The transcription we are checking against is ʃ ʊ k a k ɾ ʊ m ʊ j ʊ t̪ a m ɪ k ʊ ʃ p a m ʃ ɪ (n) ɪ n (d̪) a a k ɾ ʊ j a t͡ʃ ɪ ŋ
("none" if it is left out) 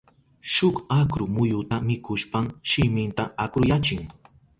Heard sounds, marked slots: m, t̪

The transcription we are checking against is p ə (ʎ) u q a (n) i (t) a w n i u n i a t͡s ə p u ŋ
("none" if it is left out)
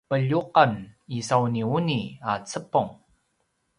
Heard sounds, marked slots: ʎ, n, s

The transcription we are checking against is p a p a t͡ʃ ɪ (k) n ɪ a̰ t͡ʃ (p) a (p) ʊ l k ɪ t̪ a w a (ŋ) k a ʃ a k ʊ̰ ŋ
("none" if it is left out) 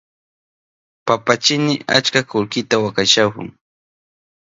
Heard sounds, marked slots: none, k, k, none

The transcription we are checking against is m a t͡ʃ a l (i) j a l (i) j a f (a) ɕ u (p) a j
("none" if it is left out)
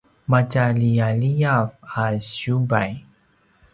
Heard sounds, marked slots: i, i, a, b

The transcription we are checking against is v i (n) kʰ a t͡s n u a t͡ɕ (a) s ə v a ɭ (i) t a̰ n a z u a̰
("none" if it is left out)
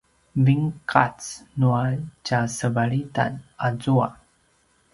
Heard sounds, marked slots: ŋ, a, i

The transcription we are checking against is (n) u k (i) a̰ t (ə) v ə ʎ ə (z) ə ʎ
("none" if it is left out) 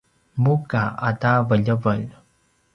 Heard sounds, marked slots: m, a, a, v

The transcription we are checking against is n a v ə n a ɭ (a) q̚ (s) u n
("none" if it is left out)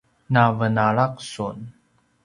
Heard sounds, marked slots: a, s

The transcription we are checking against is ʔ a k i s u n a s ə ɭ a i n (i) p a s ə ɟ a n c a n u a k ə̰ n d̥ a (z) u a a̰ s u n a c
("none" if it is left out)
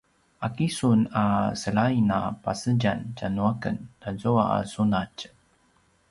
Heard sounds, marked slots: a, z

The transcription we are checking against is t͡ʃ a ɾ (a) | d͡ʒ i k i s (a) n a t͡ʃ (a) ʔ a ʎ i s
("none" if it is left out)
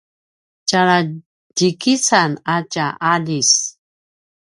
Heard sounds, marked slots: a, a, a

